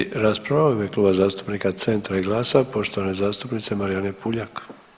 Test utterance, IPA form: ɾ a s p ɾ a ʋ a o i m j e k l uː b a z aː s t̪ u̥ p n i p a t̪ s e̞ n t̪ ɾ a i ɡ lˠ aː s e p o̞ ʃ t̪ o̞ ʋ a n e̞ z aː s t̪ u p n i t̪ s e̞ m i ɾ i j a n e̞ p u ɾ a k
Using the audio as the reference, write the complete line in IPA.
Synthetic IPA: ɾ a s p ɾ a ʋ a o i m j e k l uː b a z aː s t̪ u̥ p n i k a t̪ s e̞ n t̪ ɾ a i ɡ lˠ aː s a p o̞ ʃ t̪ o̞ ʋ a n e̞ z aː s t̪ u p n i t̪ s e̞ m a ɾ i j a n e̞ p u ʎ a k